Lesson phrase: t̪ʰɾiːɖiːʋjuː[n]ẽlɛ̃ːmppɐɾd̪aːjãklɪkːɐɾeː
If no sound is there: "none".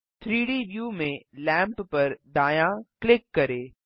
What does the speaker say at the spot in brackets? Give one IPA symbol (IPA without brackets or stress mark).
m